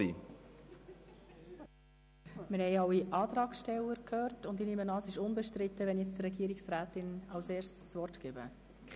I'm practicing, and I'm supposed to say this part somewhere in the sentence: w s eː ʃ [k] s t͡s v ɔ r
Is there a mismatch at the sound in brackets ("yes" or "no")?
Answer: yes